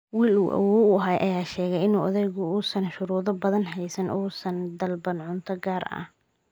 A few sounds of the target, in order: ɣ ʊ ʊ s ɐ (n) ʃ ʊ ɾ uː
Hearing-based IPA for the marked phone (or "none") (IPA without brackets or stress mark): n